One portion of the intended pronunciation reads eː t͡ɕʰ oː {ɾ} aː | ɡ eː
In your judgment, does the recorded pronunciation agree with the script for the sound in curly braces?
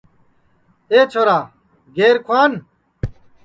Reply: yes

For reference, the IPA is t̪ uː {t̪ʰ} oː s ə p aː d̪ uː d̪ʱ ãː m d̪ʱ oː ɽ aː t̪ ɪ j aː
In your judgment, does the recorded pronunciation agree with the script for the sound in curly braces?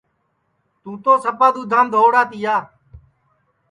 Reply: no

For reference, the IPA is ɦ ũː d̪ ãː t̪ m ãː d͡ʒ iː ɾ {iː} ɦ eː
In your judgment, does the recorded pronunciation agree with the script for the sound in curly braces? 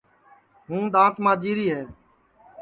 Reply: yes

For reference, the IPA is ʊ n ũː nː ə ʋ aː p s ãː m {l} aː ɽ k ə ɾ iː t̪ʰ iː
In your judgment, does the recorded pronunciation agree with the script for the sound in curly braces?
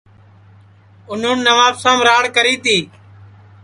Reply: no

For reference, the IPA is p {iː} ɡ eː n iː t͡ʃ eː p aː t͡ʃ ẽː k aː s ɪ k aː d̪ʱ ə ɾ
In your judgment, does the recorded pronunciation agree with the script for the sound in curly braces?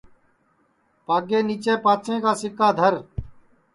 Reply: no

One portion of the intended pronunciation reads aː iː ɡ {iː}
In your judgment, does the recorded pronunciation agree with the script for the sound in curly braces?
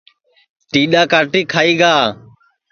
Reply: no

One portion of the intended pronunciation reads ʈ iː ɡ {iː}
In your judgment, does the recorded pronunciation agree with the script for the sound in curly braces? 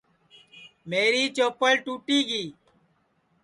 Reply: yes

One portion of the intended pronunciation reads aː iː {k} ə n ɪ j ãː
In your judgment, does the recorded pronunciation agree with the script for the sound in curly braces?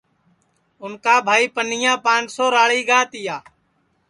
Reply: no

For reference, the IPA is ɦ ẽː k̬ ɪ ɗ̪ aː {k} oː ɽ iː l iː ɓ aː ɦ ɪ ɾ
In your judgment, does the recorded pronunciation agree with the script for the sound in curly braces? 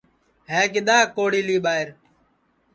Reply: yes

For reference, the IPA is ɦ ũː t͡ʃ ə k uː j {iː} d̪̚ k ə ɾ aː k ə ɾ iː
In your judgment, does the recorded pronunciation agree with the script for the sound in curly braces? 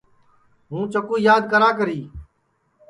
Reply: no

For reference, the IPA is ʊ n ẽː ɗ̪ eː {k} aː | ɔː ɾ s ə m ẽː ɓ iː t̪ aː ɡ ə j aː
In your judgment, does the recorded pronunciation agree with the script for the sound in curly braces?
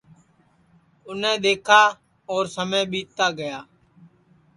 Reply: no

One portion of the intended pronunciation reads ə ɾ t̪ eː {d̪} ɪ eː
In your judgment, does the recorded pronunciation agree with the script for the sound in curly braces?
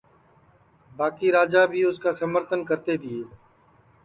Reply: yes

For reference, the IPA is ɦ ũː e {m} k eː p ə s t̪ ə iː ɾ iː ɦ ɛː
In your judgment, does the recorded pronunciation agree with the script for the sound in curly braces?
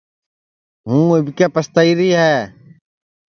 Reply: no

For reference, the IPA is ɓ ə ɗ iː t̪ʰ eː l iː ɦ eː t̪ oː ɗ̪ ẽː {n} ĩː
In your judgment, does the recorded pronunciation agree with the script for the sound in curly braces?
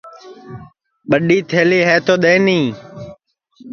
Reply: yes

